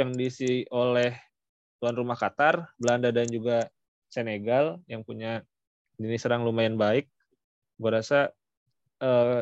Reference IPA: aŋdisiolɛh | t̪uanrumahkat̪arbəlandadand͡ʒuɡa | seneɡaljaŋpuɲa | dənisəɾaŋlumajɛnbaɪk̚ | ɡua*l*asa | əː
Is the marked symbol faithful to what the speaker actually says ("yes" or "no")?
no